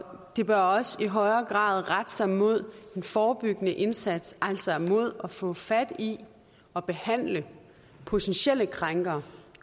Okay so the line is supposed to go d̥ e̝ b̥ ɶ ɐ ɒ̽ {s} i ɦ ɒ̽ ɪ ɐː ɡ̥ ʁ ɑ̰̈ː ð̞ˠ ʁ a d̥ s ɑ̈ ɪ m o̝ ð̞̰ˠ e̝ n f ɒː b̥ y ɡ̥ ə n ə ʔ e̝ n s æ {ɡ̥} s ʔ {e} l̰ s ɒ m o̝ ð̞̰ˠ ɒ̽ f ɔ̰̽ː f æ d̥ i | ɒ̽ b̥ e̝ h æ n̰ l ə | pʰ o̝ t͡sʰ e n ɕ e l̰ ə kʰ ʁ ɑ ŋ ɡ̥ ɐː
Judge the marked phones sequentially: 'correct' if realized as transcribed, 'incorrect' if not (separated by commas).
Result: correct, incorrect, incorrect